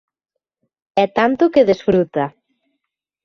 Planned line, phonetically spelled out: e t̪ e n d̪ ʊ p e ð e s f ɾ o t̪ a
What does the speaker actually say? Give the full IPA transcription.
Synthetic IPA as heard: ɛ t̪ a n t̪ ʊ k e ð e s f ɾ u t̪ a